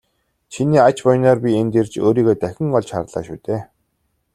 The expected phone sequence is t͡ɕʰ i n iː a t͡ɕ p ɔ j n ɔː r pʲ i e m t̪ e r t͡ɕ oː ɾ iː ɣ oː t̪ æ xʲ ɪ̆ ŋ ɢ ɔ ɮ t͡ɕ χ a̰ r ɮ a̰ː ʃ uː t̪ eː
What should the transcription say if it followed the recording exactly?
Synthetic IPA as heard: t͡ɕʰ i n iː a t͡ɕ p ɔ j n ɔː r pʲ i e n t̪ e r t͡ɕ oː ɾ iː ɣ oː t̪ æ xʲ ɪ̆ ŋ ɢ ɔ ɮ t͡ɕ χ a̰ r ɮ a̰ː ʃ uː t̪ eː